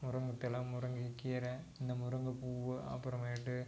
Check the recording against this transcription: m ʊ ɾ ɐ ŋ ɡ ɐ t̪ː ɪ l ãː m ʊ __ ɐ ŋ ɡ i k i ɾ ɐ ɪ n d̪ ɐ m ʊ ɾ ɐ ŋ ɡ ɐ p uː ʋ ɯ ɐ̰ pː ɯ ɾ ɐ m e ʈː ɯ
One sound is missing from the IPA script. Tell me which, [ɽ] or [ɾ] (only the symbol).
ɾ